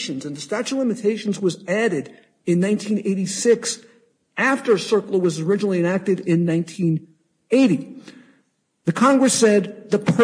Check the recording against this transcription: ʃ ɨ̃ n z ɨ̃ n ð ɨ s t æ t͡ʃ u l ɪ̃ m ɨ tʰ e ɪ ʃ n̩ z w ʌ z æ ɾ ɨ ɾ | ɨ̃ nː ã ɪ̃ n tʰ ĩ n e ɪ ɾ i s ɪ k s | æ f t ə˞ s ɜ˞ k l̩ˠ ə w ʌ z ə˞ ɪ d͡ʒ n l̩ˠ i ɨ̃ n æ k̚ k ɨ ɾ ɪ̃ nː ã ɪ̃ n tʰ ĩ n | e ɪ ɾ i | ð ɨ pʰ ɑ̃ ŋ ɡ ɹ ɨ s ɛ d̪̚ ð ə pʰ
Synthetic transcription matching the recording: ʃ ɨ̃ n z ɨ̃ n ð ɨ s t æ t͡ʃ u l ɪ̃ m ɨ tʰ e ɪ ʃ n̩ z w ʌ z æ ɾ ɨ ɾ | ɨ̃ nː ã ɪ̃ n tʰ ĩ n e ɪ ɾ i s ɪ k s | æ f t ə˞ s ɜ˞ k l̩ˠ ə w ʌ z ə˞ ɪ d͡ʒ n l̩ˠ i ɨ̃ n æ k̚ t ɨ ɾ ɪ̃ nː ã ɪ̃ n tʰ ĩ n | e ɪ ɾ i | ð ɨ kʰ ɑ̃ ŋ ɡ ɹ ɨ s ɛ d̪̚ ð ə pʰ